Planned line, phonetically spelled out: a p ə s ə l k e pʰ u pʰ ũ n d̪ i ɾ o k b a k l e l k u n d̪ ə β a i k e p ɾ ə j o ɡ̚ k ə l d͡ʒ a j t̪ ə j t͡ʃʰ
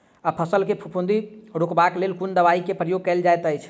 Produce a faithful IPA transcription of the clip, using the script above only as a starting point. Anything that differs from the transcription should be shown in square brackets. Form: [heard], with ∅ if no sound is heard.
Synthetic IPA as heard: a [pʰ] ə s ə l k e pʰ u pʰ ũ n d̪ i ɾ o k b a k l e l k u n d̪ ə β a i k e p ɾ ə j o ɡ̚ k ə l d͡ʒ a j t̪ ə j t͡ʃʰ